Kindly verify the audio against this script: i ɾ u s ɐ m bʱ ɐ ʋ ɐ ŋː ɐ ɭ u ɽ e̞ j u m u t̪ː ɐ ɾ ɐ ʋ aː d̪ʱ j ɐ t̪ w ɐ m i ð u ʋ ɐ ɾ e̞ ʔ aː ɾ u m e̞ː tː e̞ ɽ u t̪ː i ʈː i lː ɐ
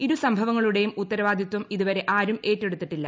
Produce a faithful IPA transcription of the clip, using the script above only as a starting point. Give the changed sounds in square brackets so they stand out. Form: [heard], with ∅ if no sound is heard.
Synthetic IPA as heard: i ɾ u s ɐ m bʱ ɐ ʋ ɐ ŋː ɐ ɭ u ɽ e̞ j u m u t̪ː ɐ ɾ ɐ ʋ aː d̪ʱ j ɐ t̪ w ɐ m i ð u ʋ ɐ ɾ e̞ ʔ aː ɾ u m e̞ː tː e̞ ɽ u t̪ː i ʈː i lː ɐ

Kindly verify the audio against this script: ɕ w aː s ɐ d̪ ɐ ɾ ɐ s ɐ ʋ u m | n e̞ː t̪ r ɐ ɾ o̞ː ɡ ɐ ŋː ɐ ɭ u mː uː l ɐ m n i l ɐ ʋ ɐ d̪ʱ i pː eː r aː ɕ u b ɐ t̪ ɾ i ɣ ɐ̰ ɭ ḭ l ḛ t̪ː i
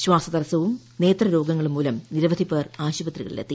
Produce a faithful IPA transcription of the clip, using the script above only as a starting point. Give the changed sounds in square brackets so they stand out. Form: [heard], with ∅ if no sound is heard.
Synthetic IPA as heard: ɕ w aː s ɐ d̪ ɐ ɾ ɐ s ɐ ʋ u m | n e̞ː t̪ r ɐ ɾ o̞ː ɡ ɐ ŋː ɐ ɭ u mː uː l ɐ m n i [ɾ] ɐ ʋ ɐ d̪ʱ i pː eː r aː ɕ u b ɐ t̪ [r] i ɣ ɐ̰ ɭ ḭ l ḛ t̪ː i

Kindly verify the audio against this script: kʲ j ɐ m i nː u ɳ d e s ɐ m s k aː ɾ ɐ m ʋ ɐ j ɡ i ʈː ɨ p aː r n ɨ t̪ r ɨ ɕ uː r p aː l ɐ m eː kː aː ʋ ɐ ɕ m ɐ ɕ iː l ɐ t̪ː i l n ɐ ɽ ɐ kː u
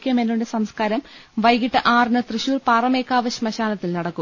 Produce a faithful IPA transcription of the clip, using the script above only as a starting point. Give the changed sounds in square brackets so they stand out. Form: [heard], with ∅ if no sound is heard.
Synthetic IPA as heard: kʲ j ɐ m [e] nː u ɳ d e s ɐ m s k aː ɾ ɐ m ʋ ɐ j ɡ i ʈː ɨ [ʔ] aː r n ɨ t̪ r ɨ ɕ uː r p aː [r] ɐ m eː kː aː ʋ ɐ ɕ m ɐ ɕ [aː] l ɐ t̪ː i l n ɐ ɽ ɐ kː u

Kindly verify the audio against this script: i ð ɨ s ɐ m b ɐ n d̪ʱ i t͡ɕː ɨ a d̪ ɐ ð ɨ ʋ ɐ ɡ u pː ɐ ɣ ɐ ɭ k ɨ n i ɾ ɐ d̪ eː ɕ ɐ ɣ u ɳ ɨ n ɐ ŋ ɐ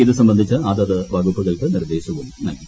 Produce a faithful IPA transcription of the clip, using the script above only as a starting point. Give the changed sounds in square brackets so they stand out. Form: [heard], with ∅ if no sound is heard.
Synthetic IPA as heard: i ð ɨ s ɐ m b ɐ n d̪ʱ i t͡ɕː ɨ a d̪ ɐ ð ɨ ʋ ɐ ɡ u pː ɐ ɣ ɐ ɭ k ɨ n i ɾ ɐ d̪ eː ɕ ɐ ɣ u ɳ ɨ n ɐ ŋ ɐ

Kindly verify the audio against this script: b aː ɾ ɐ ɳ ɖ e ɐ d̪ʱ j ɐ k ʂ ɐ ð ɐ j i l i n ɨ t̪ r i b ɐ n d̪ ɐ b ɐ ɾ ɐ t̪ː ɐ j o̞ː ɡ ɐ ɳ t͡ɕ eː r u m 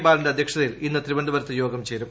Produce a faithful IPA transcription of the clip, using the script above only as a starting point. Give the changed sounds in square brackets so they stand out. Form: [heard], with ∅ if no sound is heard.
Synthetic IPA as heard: b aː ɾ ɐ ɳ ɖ e ɐ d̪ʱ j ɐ k ʂ ɐ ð ɐ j i l i [nː] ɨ t̪ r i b ɐ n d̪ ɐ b ɐ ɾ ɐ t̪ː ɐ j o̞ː ɡ ɐ [m] t͡ɕ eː [ɾ] u m

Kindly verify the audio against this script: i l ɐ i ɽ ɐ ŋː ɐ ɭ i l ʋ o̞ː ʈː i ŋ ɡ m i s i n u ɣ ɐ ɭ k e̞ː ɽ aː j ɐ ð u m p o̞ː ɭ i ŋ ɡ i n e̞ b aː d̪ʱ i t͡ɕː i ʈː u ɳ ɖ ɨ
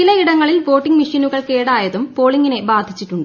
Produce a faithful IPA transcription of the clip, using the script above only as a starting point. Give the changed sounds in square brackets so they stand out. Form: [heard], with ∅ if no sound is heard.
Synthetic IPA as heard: i l ɐ i ɽ ɐ ŋː ɐ ɭ i l ʋ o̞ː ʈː i ŋ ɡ m i [ʂ] i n u ɣ ɐ ɭ k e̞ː ɽ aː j ɐ ð u m p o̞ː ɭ i ŋ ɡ i n e̞ b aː d̪ʱ i t͡ɕː i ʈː u ɳ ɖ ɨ

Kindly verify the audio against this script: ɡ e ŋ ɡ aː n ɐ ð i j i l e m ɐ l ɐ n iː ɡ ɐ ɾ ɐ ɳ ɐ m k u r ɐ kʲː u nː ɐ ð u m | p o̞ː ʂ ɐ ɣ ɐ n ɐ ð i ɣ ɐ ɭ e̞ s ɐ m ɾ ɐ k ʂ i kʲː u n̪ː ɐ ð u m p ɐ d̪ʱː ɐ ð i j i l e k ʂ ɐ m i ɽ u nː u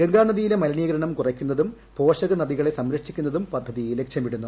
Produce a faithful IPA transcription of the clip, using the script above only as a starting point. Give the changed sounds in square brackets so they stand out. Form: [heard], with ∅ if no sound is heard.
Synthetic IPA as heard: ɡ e ŋ ɡ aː n ɐ ð i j i l e m ɐ l ɐ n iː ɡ ɐ ɾ ɐ ɳ ɐ m k u r ɐ kʲː u nː ɐ ð u m | p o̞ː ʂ ɐ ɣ ɐ n ɐ ð i ɣ ɐ ɭ e̞ s ɐ m ɾ ɐ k ʂ i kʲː u n̪ː ɐ ð u m p ɐ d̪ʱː ɐ ð i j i l e k ʂ ɐ m i ɽ u nː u

